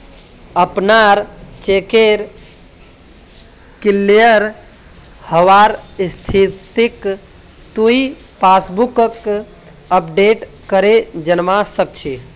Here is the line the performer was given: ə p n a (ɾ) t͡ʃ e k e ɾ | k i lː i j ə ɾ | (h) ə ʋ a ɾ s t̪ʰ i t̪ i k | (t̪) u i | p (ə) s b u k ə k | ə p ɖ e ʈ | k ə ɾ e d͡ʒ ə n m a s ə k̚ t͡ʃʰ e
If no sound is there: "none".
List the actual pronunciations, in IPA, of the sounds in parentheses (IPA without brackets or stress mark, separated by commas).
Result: ɾ, h, t̪, a